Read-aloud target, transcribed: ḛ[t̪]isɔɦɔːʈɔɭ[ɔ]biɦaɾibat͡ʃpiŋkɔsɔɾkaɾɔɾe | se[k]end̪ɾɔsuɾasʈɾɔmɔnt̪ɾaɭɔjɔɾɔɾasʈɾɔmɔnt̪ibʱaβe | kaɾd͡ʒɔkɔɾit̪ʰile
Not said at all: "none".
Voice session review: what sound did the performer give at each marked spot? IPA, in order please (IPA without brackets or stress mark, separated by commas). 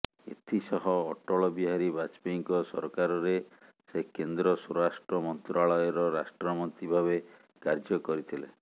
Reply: t̪ʰ, ɔ, k